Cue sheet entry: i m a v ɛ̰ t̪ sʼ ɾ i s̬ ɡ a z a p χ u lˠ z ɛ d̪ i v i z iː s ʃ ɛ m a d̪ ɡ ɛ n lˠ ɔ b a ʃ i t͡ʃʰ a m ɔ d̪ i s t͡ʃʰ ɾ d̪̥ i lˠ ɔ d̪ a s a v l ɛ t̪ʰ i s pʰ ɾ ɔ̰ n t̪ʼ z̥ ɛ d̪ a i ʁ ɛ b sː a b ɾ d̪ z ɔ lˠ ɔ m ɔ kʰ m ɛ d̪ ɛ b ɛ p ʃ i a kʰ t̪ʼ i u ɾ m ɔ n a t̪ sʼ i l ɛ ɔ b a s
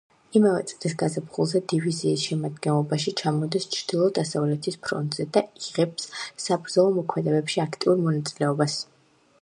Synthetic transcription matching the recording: i m a v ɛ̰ t̪ sʼ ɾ i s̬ ɡ a z a p χ u lˠ z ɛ d̪ i v i z iː s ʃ ɛ m a d̪ ɡ ɛ n lˠ ɔ b a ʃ i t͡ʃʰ a m ɔ d̪ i s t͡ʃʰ ɾ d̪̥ i lˠ ɔ d̪ a s a v l ɛ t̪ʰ i s pʰ ɾ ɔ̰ n t̪ʼ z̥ ɛ d̪ a i ʁ ɛ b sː a b ɾ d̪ z ɔ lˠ ɔ m ɔ kʰ m ɛ d̪ ɛ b ɛ p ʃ i a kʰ t̪ʼ i u ɾ m ɔ n a t̪ sʼ i l ɛ ɔ b a s